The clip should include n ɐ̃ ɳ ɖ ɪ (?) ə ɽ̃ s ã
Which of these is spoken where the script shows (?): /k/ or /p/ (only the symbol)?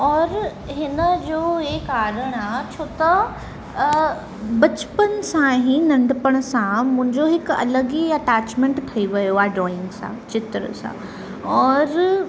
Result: p